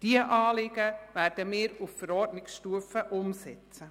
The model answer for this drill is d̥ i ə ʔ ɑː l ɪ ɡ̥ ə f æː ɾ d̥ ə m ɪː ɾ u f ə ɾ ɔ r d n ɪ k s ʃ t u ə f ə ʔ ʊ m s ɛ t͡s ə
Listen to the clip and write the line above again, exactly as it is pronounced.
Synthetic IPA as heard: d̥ i ə ʔ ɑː l ɪ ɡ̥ ə v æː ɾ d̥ ə m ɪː ɾ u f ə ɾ ɔ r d n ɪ k s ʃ t u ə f ə ʔ ʊ m s ɛ t͡s ə